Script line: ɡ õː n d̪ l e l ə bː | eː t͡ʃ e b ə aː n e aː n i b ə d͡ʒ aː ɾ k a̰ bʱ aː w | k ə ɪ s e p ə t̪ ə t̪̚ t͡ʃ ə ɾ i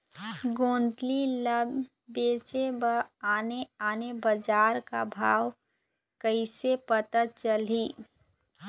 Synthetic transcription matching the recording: ɡ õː n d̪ l i l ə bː | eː t͡ʃ e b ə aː n e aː n e b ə d͡ʒ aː ɾ k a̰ bʱ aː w | k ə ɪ s e p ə t̪ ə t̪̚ t͡ʃ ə l i